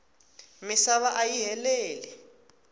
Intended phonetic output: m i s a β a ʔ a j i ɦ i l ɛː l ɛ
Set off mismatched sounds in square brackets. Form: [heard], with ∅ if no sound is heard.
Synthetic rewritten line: m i s a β a ʔ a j i ɦ [ɛ] l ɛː l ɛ